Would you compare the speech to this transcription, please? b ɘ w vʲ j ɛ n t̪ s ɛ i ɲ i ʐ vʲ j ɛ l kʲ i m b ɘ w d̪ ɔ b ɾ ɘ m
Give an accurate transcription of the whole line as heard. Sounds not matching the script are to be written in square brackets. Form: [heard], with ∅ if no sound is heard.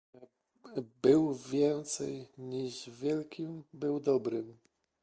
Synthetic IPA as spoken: b ɘ w vʲ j ɛ n t̪ s ɛ [j] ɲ i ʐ vʲ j ɛ l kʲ i m b ɘ w d̪ ɔ b ɾ ɘ m